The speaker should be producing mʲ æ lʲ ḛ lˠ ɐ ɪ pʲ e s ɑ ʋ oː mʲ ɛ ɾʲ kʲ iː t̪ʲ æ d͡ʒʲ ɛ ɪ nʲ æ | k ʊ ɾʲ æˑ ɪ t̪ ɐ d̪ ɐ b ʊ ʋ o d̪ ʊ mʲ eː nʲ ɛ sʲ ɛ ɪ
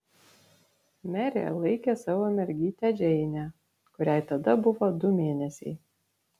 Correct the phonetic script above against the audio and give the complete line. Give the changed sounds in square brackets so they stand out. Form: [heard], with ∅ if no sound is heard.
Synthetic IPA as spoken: mʲ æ [ɾʲ] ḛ lˠ ɐ ɪ [kʲ] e s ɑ ʋ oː mʲ ɛ ɾʲ [ɡʲ] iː t̪ʲ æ d͡ʒʲ ɛ ɪ nʲ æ | k ʊ ɾʲ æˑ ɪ t̪ ɐ d̪ ɐ b ʊ ʋ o d̪ ʊ mʲ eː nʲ ɛ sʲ ɛ ɪ